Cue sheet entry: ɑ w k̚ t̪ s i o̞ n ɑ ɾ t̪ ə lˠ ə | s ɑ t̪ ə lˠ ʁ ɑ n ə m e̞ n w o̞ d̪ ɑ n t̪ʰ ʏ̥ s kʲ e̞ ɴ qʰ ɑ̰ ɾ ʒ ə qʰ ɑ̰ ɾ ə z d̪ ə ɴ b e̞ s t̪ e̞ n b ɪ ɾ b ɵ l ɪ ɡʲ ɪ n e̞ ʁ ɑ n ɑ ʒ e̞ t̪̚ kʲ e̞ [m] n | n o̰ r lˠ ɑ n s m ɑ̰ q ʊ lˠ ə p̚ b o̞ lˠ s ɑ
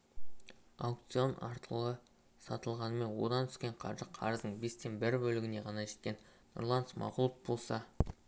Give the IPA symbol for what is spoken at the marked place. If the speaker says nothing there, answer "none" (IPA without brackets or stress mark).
none